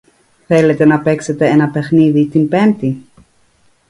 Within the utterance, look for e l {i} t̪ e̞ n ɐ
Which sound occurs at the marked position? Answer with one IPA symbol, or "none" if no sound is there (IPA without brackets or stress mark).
e